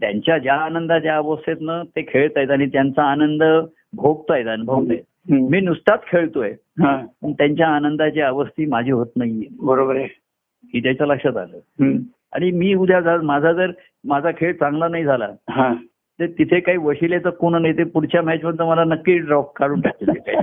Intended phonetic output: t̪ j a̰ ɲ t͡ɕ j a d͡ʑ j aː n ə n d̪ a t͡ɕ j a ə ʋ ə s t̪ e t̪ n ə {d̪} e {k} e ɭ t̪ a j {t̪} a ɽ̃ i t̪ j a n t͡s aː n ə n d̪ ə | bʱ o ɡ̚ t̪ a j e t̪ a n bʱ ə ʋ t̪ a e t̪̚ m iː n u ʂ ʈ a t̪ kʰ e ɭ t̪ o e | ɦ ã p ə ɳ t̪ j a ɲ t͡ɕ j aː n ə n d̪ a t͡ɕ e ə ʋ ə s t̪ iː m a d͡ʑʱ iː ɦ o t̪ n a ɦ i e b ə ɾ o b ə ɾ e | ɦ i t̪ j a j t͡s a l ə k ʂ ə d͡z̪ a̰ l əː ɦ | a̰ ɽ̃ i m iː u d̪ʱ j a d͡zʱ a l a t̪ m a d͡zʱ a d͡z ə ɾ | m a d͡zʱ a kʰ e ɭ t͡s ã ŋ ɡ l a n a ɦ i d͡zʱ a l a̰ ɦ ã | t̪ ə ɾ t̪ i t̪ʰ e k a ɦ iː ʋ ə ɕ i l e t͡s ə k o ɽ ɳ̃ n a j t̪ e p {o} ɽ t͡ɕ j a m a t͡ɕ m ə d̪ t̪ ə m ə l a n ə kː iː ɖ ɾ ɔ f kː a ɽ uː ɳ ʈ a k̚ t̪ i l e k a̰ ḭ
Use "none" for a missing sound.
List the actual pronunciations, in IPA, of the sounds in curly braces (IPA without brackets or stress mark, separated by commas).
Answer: t̪, kʰ, t̪, u